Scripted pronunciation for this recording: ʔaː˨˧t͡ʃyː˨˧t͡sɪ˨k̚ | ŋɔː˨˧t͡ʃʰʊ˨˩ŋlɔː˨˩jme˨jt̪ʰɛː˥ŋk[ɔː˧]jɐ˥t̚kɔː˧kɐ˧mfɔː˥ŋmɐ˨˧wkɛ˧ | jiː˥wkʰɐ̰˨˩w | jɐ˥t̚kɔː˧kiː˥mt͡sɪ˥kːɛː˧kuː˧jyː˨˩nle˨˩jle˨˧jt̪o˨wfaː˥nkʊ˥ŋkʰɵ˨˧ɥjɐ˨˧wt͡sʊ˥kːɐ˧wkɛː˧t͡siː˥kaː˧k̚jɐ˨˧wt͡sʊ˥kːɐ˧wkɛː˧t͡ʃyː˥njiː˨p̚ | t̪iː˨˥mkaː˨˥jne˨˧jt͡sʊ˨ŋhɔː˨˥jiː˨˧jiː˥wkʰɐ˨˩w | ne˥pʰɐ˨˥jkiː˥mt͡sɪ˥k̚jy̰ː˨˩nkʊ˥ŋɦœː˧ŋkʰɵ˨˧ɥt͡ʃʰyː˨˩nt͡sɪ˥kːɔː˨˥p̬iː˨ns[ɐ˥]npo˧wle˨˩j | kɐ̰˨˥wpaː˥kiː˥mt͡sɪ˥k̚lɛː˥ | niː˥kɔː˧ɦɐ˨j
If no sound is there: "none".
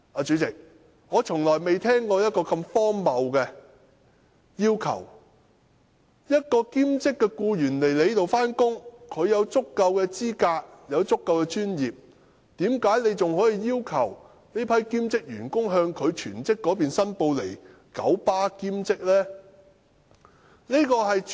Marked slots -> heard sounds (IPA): ɔː˧, ɐ˥

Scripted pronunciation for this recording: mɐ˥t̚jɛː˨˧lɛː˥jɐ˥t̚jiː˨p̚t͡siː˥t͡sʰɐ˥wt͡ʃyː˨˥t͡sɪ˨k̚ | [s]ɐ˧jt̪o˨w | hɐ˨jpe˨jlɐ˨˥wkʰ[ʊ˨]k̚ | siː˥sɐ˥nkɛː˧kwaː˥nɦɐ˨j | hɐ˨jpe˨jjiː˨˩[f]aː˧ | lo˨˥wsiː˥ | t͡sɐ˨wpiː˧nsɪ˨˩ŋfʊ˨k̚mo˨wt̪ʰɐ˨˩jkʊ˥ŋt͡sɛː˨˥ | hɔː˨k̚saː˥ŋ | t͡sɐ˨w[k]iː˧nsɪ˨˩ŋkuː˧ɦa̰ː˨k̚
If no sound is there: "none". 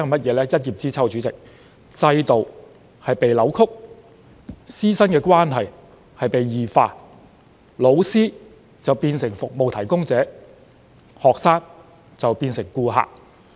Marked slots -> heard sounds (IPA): t͡s, ʊ˥, f, p

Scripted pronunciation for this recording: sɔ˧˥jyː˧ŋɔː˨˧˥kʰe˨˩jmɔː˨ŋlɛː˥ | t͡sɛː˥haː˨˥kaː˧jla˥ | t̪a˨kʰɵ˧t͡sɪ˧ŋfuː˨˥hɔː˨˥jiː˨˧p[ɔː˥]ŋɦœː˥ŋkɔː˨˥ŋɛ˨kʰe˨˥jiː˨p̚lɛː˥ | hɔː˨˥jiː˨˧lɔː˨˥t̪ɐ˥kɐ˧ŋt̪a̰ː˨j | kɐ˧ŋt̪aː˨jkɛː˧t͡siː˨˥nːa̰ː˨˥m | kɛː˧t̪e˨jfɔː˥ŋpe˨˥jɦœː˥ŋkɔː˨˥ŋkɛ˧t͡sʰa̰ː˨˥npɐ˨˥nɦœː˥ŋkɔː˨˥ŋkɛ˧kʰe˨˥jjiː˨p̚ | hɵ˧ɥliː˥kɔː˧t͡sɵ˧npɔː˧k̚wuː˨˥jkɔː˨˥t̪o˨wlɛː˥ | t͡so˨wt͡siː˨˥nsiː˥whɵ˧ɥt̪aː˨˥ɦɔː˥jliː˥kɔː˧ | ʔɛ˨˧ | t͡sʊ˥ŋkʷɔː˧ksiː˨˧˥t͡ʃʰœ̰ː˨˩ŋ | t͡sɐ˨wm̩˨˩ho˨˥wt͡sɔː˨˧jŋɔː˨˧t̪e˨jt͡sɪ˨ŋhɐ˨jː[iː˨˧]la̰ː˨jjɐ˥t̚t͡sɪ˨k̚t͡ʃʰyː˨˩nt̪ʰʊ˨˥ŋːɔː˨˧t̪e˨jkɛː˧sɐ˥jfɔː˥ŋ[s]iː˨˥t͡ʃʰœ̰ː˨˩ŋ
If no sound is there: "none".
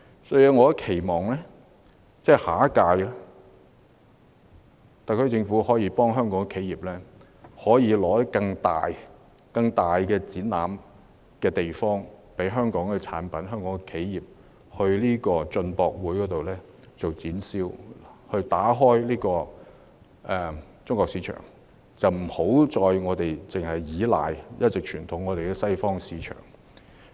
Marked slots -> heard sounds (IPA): ɔː˥, iː˨˧, s

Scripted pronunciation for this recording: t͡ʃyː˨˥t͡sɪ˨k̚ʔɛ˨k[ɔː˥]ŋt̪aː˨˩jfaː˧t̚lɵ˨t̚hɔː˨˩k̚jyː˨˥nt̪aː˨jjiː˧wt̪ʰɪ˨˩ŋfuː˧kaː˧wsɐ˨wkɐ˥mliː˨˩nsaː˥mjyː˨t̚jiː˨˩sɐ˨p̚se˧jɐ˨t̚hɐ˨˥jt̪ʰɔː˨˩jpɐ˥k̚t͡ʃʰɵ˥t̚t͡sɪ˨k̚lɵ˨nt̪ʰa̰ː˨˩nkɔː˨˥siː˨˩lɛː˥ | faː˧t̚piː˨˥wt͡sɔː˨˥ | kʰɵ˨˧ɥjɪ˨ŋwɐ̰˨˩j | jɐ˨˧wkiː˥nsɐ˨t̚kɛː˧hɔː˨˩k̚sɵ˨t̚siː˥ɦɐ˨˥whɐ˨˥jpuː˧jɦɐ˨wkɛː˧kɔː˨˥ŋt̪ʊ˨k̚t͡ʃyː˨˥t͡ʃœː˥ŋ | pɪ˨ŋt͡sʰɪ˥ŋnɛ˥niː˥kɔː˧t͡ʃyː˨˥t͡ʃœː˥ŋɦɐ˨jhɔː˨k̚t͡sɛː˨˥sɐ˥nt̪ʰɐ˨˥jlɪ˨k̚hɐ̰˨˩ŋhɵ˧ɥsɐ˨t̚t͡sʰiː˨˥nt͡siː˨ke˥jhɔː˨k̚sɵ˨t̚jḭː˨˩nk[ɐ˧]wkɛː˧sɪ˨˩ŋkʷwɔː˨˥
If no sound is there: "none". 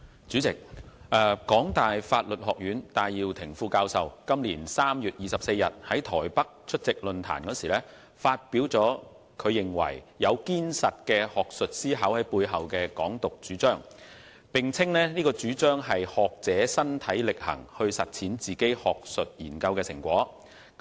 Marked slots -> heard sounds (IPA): ɔː˨˥, ɐ˧

